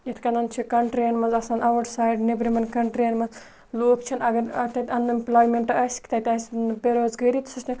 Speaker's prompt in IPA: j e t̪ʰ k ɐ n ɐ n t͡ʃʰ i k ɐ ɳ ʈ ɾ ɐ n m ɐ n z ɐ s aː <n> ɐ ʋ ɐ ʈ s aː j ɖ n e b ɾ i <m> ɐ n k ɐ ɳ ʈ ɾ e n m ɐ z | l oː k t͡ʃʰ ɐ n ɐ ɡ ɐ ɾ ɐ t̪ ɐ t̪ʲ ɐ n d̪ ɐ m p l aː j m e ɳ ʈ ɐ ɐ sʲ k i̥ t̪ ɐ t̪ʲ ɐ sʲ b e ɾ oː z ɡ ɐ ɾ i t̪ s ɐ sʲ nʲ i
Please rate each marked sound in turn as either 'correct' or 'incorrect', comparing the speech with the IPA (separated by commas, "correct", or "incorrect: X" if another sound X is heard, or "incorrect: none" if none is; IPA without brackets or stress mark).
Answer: correct, correct